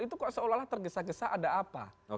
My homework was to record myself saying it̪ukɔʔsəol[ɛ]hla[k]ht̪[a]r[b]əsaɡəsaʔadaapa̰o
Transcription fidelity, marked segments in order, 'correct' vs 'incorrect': incorrect, incorrect, incorrect, incorrect

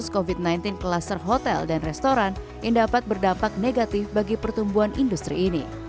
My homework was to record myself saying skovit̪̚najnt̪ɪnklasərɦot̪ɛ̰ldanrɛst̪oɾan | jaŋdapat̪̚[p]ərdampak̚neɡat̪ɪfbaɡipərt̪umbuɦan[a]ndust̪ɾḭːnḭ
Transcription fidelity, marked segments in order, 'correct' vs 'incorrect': incorrect, incorrect

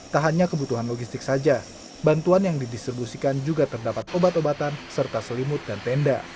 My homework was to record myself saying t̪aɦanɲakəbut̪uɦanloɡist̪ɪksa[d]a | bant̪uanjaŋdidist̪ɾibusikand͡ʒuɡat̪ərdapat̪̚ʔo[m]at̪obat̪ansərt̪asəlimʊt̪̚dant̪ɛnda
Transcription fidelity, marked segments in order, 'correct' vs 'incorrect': incorrect, incorrect

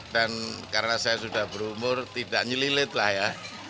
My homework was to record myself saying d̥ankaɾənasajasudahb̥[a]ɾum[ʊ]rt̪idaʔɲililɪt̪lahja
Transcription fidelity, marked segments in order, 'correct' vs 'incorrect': incorrect, correct

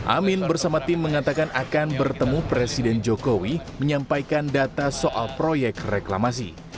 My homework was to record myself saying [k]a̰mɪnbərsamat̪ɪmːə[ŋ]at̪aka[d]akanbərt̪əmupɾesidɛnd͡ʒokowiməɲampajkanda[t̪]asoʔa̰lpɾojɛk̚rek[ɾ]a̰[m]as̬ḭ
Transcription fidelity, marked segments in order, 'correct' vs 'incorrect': incorrect, correct, incorrect, correct, incorrect, correct

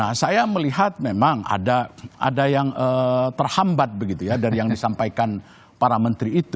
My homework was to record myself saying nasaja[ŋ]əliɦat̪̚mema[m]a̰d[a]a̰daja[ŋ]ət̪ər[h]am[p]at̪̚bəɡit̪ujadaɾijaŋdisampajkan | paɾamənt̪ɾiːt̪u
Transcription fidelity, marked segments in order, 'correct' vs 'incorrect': incorrect, incorrect, correct, correct, correct, incorrect

